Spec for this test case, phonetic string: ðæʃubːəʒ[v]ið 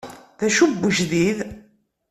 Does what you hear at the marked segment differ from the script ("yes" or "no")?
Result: yes